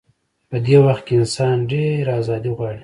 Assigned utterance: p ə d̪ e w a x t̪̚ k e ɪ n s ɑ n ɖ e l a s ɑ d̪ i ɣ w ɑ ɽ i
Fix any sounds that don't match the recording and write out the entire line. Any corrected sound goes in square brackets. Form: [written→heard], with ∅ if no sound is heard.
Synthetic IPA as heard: p ə d̪ e w a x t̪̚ k e ɪ n s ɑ n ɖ e [l→ɾ] a [s→z] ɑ d̪ i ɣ w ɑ ɽ i